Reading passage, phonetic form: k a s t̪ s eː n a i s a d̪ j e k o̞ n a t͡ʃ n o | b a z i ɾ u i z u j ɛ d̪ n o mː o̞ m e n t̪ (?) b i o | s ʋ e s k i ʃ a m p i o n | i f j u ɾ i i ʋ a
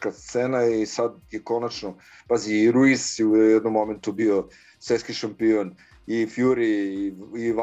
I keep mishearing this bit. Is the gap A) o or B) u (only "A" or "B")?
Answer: B